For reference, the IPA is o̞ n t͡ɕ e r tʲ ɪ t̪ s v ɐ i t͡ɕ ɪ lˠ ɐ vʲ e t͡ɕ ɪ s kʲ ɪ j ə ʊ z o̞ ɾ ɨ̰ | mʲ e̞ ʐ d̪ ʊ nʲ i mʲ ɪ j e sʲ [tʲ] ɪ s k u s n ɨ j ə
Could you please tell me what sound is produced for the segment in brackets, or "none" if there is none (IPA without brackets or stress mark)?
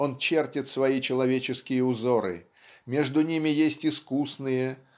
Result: tʲ